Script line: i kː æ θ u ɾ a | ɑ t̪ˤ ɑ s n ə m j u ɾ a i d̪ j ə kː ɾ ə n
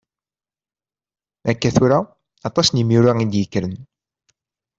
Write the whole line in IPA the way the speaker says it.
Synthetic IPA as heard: æ kː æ θ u ɾ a | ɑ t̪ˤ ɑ s n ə m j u ɾ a i d̪ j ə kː ɾ ə n